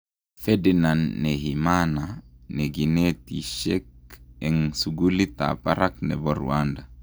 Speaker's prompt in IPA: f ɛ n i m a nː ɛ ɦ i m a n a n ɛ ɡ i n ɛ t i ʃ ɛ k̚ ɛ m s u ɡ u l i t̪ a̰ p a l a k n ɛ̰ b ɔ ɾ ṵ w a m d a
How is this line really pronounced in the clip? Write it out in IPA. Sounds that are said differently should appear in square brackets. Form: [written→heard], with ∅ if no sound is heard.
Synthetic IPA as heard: f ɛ [n→d] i [m→n] a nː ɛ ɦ i m a n a n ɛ ɡ i n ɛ t i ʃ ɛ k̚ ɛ [m→ŋ] s u ɡ u l i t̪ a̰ p a [l→ɾ] a k n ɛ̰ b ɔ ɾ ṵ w a [m→n] d a